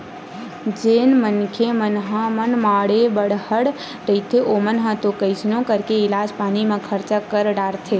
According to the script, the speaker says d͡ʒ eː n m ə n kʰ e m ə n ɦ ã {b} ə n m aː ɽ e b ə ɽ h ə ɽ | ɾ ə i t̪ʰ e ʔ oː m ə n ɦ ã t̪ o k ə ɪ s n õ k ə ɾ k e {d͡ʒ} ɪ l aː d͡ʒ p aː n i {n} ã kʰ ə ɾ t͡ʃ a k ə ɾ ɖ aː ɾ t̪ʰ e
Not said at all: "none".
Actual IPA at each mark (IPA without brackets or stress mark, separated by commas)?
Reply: m, none, m